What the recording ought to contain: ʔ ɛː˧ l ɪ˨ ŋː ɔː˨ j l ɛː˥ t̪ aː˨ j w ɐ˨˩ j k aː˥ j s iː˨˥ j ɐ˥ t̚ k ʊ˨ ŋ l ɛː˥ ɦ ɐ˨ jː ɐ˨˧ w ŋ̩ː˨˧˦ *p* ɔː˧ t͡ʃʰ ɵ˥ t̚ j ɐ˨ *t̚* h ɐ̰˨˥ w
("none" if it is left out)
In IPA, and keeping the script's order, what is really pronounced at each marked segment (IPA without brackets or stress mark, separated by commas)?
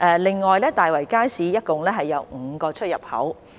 k, p̚